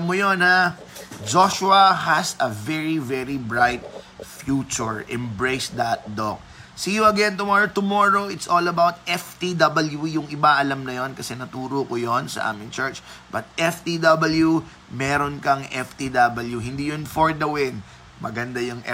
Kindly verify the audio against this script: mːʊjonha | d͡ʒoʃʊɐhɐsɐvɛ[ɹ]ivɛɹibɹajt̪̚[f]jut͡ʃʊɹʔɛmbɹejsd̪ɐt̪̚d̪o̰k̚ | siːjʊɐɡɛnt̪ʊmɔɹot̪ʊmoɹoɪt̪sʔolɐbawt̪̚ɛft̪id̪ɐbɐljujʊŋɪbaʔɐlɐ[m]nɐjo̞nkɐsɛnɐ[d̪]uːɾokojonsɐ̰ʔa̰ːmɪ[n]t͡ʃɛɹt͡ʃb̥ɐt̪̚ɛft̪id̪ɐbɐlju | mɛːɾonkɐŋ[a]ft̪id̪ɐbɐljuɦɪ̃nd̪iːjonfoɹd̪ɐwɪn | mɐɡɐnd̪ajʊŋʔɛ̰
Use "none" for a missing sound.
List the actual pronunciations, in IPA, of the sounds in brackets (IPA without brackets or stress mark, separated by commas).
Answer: ɹ, f, m, t̪, ŋ, ɛ